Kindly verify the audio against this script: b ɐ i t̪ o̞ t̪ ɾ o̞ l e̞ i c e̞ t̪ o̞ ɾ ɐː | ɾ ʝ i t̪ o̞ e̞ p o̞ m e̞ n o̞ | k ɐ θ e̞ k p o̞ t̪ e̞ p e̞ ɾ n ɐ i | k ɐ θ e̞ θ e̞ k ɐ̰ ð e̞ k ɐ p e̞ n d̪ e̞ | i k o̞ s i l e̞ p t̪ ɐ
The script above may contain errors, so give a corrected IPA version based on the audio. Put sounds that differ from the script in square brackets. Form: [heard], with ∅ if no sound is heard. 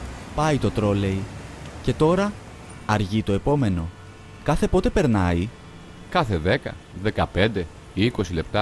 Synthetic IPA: [p] ɐ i t̪ o̞ t̪ ɾ o̞ l e̞ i c e̞ t̪ o̞ ɾ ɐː | ɾ ʝ i t̪ o̞ e̞ p o̞ m e̞ n o̞ | k ɐ θ e̞ [∅] p o̞ t̪ e̞ p e̞ ɾ n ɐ i | k ɐ θ e̞ [ð] e̞ k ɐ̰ ð e̞ k ɐ p e̞ n d̪ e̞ | i k o̞ s i l e̞ p t̪ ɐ